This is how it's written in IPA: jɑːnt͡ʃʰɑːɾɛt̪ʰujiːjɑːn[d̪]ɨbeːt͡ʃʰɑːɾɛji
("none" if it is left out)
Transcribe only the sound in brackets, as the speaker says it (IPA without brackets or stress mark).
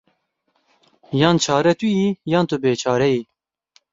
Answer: t̪